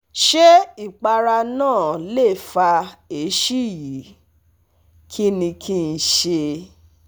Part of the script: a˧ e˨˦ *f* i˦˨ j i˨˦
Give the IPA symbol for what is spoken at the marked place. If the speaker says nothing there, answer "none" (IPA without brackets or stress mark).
ʃ